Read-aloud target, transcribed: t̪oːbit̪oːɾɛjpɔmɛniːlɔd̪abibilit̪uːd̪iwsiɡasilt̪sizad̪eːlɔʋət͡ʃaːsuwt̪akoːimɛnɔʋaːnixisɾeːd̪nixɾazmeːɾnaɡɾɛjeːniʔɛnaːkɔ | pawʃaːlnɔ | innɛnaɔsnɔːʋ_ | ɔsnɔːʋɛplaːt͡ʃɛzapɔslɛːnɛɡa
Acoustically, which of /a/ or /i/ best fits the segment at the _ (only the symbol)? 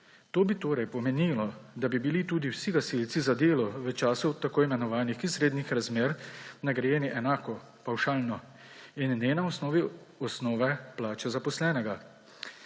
i